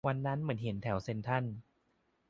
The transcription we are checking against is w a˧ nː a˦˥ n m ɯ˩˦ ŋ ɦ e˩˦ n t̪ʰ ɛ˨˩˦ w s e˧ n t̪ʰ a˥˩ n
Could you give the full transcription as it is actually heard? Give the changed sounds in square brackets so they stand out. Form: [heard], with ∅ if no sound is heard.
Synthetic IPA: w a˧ nː a˦˥ n m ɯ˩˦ [n] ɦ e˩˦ n t̪ʰ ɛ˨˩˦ w s e˧ n t̪ʰ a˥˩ n